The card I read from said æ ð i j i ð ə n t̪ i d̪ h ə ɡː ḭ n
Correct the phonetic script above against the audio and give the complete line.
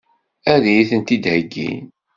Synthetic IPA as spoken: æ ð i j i θ ə n t̪ i d̪ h ə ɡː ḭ n